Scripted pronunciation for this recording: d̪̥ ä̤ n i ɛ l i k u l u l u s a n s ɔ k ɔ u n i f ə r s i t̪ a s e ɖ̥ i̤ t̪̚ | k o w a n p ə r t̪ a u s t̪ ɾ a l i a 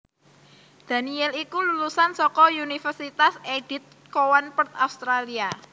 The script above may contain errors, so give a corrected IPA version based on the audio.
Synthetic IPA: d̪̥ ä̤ n i ɛ l i k u l u l u s a n s ɔ k ɔ u n i f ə r s i t̪ a s e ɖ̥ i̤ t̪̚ | k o w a n p ə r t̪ a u s t̪ ɾ a l i a